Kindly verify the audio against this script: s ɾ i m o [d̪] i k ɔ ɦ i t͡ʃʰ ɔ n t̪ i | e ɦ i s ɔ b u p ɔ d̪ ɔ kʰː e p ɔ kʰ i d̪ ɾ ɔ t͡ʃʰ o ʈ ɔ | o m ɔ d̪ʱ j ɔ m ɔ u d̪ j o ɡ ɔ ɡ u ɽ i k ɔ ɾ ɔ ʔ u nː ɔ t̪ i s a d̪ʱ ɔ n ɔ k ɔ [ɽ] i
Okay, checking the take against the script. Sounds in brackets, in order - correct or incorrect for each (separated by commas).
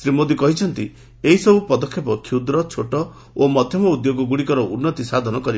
correct, incorrect